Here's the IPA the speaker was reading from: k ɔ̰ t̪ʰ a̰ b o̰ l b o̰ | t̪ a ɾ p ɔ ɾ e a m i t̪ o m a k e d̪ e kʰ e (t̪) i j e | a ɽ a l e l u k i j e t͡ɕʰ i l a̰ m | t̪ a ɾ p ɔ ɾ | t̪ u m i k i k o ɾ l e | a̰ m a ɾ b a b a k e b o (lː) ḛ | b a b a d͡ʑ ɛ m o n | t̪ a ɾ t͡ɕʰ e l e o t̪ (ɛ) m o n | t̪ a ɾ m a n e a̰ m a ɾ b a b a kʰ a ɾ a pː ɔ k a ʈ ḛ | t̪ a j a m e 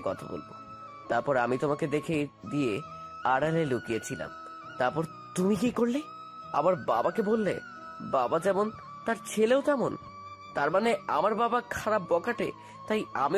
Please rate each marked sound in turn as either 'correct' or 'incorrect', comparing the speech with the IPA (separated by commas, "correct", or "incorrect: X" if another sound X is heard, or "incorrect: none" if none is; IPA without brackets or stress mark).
incorrect: d̪, correct, correct